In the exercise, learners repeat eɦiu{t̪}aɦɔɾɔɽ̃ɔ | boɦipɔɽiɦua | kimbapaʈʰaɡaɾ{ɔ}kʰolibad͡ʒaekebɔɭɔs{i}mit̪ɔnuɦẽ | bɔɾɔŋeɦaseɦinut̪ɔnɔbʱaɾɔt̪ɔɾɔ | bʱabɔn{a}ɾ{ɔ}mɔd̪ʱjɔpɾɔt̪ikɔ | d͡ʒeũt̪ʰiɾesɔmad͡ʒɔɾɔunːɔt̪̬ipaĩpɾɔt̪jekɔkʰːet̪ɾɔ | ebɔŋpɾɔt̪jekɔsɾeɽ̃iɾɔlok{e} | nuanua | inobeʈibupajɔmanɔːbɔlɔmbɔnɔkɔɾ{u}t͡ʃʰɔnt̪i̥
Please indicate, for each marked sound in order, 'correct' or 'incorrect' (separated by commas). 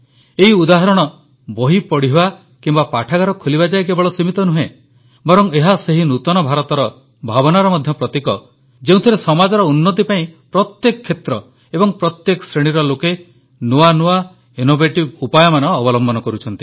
incorrect, correct, correct, correct, correct, correct, correct